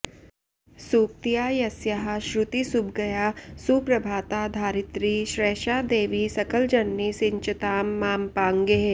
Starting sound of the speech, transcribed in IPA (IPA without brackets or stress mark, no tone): s